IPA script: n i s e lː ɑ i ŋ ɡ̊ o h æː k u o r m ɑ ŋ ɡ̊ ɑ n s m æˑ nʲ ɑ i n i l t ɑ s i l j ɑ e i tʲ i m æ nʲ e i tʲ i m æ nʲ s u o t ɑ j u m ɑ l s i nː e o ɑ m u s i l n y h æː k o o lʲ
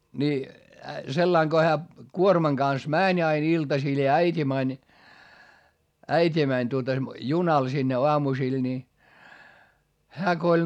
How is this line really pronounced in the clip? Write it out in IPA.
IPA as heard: n i s e lː ɑ i ŋ ɡ̊ o h æː k u o r m ɑ ŋ ɡ̊ ɑ n s m æˑ nʲ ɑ i n i l t ɑ s i l j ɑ æ i tʲ i m æ nʲ æ i tʲ i m æ nʲ t u o t ɑ j u n ɑ l s i nː e o ɑ m u s i l n i h æː k o o lʲ